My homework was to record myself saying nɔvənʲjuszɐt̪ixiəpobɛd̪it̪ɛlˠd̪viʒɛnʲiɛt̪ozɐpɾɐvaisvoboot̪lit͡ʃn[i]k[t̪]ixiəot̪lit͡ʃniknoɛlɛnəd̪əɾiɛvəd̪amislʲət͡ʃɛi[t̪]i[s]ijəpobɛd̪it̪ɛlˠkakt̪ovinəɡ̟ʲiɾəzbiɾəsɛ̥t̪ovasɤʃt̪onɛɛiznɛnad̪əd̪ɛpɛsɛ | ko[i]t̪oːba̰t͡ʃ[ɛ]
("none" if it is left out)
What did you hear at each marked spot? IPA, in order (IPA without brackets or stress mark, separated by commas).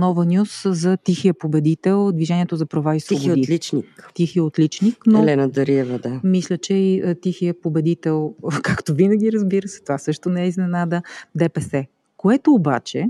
i, t̪, t̪, x, ɛ, ɛ